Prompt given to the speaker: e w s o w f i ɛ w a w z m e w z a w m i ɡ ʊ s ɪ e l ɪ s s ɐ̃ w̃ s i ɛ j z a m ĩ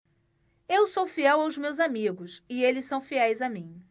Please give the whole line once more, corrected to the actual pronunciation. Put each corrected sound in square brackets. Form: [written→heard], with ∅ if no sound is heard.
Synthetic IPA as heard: e w s o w f i ɛ w a w z m e w z a [w→∅] m i ɡ ʊ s ɪ e l ɪ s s ɐ̃ w̃ [s→f] i ɛ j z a m ĩ